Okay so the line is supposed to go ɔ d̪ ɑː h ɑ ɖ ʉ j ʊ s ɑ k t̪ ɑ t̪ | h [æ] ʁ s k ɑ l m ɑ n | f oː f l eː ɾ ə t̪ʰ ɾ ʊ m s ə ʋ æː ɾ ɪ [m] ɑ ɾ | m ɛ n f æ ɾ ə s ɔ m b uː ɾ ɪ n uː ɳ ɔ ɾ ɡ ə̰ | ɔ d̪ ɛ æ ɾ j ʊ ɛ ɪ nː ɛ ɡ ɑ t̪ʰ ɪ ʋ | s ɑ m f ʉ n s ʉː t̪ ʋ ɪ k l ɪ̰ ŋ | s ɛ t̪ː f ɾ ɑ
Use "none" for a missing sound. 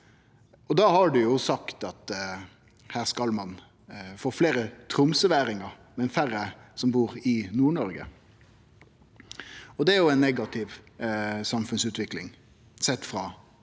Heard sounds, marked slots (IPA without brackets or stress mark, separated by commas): æː, ŋ